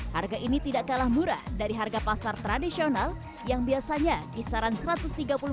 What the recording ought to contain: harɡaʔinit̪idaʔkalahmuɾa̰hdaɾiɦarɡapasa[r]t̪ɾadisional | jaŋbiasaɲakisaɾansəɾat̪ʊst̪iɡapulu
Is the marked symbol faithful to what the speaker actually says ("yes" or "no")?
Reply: yes